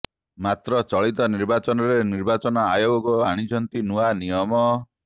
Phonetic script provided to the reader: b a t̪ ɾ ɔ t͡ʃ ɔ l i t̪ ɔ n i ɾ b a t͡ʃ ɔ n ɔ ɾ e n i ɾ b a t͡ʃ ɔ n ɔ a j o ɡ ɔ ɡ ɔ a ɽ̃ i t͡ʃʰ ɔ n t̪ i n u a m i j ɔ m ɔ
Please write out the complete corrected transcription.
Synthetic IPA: m a t̪ ɾ ɔ t͡ʃ ɔ ɭ i t̪ ɔ n i ɾ b a t͡ʃ ɔ n ɔ ɾ e n i ɾ b a t͡ʃ ɔ n ɔ a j o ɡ ɔ ɡ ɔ a ɽ̃ i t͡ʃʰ ɔ n t̪ i n u a n i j ɔ m ɔ